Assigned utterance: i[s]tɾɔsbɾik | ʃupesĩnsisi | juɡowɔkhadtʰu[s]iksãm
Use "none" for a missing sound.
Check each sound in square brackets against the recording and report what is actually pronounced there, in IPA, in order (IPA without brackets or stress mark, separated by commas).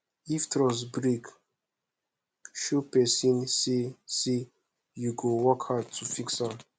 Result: f, f